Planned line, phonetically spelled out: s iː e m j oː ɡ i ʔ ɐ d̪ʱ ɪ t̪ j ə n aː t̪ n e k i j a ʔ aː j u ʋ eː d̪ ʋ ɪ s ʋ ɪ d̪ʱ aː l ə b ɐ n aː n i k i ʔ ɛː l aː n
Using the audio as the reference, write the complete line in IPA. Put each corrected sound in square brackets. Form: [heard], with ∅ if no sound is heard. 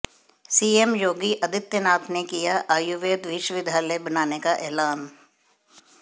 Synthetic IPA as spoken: s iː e m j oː ɡ i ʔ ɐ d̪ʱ ɪ t̪ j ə n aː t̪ n e k i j a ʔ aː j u ʋ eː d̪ ʋ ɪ [ʃ] ʋ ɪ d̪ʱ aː l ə b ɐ n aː n [e] k [a] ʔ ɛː l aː n